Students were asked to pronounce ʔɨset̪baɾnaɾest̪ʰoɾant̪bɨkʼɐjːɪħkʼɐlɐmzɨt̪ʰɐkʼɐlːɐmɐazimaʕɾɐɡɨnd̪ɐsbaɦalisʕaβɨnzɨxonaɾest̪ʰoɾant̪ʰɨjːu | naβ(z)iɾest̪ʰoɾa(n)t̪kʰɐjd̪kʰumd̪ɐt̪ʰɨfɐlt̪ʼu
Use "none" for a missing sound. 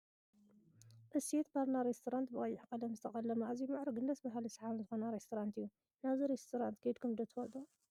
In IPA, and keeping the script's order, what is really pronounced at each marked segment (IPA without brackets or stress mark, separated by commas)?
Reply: z, n